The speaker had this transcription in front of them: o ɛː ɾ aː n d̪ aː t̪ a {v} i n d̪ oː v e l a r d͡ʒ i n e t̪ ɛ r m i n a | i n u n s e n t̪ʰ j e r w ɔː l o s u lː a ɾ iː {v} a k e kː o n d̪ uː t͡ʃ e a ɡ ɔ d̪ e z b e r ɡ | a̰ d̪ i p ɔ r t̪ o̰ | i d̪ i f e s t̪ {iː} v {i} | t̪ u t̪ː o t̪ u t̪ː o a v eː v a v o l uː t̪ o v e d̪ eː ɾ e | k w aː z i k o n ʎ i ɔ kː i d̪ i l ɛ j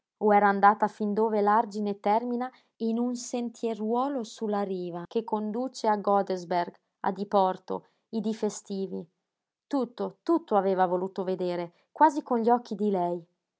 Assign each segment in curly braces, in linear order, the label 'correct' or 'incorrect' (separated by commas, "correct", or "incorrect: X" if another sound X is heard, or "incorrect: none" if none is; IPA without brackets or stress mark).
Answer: incorrect: f, correct, correct, correct